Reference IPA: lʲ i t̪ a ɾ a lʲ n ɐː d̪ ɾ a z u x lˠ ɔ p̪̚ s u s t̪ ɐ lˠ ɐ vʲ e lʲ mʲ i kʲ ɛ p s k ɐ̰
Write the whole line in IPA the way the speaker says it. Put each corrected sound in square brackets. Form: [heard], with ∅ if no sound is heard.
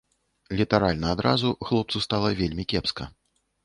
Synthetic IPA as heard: lʲ i t̪ a ɾ a lʲ n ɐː d̪ ɾ a z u x lˠ ɔ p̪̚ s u s t̪ [a] lˠ ɐ vʲ e lʲ mʲ i kʲ ɛ p s k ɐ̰